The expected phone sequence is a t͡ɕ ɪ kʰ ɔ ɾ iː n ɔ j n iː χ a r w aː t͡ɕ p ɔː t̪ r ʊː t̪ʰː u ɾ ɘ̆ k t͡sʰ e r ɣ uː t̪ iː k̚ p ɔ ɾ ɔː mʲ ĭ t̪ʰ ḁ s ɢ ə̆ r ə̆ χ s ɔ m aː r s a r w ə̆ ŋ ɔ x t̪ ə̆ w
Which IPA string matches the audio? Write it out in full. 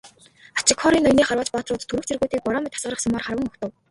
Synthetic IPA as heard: a t͡ɕ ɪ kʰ ɔ ɾ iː n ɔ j n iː χ a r w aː t͡ɕ p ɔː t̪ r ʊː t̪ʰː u ɾ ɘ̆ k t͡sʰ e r ɣ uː t̪ iː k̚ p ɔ ɾ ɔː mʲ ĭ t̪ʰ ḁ s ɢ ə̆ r ə̆ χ s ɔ m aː r χ a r w ə̆ ŋ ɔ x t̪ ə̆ w